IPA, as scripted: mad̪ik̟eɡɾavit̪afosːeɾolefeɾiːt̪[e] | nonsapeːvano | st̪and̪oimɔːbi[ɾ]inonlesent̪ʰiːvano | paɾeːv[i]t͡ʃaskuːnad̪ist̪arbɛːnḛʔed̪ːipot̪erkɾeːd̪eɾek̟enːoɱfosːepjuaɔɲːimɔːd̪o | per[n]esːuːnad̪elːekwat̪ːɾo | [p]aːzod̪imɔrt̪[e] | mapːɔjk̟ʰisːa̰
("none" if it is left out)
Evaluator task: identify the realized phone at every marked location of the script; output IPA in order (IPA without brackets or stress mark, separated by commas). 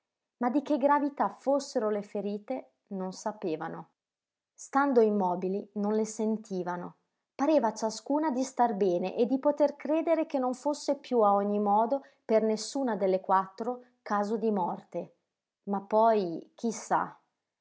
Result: e, l, a, n, k, e